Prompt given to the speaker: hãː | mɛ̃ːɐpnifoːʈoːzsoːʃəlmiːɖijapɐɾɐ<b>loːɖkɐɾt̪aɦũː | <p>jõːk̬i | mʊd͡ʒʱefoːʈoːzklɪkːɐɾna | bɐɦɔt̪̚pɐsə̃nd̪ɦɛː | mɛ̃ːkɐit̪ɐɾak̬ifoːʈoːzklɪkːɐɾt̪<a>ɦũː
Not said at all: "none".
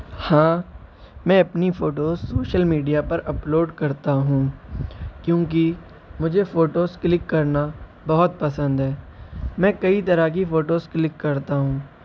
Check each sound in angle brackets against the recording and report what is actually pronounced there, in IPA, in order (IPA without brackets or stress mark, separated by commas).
p, k, a